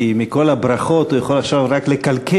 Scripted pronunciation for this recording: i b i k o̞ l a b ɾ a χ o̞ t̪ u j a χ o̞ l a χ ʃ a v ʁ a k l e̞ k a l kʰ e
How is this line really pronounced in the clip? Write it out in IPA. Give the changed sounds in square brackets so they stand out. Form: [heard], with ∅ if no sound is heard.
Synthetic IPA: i [m] i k o̞ l a b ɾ a χ o̞ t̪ u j a χ o̞ l a χ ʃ a v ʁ a k l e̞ k a l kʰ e